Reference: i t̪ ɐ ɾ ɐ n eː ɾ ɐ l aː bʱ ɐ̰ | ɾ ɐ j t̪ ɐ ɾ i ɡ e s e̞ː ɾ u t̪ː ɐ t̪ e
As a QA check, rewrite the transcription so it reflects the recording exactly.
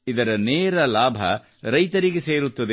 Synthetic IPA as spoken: i d̪ ɐ ɾ ɐ n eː ɾ ɐ l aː bʱ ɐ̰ | ɾ ɐ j t̪ ɐ ɾ i ɡ e s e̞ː ɾ u t̪ː ɐ d̪ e